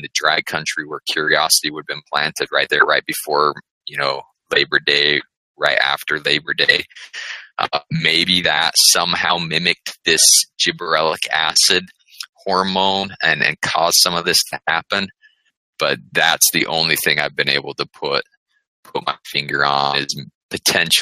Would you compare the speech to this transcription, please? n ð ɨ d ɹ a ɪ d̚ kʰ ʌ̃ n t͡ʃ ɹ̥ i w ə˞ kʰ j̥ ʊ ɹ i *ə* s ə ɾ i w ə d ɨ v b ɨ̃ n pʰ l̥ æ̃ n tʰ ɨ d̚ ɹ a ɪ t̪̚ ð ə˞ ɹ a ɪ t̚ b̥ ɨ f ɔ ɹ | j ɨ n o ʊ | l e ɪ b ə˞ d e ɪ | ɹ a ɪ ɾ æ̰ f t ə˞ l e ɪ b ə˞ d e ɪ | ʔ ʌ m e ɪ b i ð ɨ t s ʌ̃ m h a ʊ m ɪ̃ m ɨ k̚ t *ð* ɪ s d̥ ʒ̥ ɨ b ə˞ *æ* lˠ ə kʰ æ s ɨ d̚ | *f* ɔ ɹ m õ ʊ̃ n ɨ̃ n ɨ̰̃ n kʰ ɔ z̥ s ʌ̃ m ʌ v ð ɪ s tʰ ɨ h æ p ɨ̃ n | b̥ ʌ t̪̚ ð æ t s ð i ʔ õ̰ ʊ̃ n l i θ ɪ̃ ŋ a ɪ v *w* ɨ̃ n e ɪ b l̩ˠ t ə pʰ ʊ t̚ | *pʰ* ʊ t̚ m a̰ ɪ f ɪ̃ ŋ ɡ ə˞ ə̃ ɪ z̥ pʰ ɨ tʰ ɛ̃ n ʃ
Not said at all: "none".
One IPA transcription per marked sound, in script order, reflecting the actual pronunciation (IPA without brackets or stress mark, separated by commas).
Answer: ɑ, ð, ɛ, h, b, pʰ